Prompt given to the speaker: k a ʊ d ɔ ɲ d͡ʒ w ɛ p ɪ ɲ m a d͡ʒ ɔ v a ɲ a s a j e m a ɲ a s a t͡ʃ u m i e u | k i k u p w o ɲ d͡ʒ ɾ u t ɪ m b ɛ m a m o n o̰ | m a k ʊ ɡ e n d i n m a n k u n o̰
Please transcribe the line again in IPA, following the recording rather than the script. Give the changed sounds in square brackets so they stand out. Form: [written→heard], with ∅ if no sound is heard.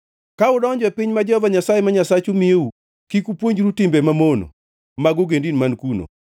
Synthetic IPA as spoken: k a ʊ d ɔ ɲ d͡ʒ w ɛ p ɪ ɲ m a d͡ʒ ɔ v a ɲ a s a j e m a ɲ a s a t͡ʃ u m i e u | k i k u p w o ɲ d͡ʒ ɾ u t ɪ m b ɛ m a m o n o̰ | m a [k→ɡ] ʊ ɡ e n d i n m a n k u n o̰